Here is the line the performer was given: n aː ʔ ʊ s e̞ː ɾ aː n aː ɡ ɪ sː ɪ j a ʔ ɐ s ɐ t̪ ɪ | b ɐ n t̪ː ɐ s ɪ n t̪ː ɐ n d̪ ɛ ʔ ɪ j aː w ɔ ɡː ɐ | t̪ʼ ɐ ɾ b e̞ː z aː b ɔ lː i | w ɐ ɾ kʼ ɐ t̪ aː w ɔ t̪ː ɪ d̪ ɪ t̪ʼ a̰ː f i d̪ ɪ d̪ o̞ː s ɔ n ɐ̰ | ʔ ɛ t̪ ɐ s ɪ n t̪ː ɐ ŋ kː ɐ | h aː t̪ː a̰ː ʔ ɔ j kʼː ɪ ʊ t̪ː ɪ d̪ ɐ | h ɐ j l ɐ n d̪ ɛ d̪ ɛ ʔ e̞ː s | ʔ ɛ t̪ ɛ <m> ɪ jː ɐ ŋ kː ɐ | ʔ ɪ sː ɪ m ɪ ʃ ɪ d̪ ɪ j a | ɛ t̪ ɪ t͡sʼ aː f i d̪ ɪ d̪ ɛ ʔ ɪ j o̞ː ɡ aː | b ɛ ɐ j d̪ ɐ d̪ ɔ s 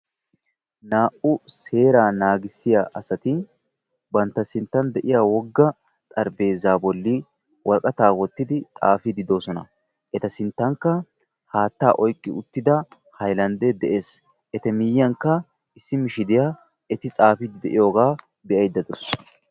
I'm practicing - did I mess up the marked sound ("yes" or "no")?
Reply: no